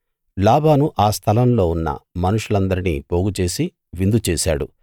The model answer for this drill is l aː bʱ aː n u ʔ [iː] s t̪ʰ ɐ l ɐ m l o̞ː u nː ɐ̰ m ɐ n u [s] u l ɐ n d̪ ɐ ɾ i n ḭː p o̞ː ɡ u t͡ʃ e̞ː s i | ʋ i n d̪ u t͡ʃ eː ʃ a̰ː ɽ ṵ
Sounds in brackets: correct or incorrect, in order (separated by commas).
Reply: incorrect, incorrect